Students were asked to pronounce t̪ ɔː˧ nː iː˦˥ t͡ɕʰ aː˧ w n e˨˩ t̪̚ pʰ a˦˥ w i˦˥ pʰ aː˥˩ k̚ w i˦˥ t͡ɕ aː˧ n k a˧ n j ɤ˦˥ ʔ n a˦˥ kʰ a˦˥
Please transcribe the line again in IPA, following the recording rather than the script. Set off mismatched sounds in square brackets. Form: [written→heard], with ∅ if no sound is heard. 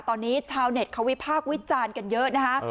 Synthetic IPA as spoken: t̪ ɔː˧ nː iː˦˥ t͡ɕʰ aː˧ w n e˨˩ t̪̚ [pʰ→kʰ] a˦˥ w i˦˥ pʰ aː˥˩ k̚ w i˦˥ t͡ɕ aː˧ n k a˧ n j ɤ˦˥ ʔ n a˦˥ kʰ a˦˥

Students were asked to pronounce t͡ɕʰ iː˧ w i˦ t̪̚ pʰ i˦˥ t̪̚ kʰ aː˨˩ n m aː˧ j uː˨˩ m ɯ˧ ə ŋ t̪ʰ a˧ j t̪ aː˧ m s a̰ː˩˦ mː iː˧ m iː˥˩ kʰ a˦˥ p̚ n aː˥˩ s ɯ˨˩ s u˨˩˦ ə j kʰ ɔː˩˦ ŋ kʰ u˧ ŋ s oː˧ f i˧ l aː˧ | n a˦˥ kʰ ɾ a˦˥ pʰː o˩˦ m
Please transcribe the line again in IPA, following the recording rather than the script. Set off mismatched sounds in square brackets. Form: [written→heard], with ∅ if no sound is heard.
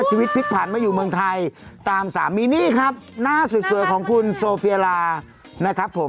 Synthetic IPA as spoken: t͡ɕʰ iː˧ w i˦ t̪̚ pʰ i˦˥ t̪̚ [kʰ→pʰ] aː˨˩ n m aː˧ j uː˨˩ m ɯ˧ ə ŋ t̪ʰ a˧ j t̪ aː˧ m s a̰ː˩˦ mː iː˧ [m→n] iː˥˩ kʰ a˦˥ p̚ n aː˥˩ s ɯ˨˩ s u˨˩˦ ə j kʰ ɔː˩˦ ŋ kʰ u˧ [ŋ→n] s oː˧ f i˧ l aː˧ | n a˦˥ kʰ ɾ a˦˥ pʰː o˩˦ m

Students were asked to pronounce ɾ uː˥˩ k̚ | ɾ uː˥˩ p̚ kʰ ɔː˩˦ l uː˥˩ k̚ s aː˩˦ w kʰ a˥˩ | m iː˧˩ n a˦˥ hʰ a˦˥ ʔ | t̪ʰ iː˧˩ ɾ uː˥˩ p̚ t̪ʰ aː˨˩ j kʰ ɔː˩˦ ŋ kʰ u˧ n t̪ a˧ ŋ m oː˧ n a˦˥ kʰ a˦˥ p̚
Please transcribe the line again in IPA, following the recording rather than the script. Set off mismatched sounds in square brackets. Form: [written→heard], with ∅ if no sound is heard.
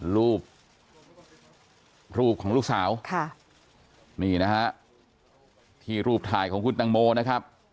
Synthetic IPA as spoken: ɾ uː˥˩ [k̚→p̚] | ɾ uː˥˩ p̚ kʰ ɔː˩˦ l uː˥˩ k̚ s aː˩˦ w kʰ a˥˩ | m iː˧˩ n a˦˥ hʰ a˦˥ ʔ | t̪ʰ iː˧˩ ɾ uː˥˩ p̚ t̪ʰ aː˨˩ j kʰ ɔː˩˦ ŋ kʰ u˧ n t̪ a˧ ŋ m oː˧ n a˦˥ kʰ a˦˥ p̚

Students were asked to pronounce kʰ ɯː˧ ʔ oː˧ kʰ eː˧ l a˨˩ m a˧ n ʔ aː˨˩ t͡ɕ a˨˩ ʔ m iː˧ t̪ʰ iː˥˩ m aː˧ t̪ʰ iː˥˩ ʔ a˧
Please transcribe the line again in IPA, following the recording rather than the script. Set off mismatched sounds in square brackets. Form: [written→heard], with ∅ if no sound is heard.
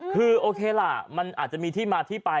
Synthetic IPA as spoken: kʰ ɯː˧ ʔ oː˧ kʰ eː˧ l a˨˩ m a˧ n ʔ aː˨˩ t͡ɕ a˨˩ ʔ m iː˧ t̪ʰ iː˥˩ m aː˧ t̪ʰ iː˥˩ [ʔ→p] a˧

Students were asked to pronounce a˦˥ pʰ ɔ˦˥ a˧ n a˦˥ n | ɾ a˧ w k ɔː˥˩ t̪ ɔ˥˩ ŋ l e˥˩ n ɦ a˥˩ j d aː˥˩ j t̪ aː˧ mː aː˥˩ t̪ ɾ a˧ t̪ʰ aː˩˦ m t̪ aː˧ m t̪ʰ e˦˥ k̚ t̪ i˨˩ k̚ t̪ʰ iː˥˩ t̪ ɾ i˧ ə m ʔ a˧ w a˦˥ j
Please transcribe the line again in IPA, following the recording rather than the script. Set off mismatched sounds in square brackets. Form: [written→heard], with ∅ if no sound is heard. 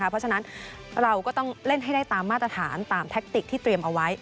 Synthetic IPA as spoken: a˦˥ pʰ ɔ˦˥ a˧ n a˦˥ n | ɾ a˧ w k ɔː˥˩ t̪ ɔ˥˩ ŋ l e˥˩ n ɦ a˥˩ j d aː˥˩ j t̪ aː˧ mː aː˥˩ t̪ ɾ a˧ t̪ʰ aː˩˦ [m→n] t̪ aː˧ m t̪ʰ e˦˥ k̚ t̪ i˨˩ k̚ t̪ʰ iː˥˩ t̪ ɾ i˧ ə m ʔ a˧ w a˦˥ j

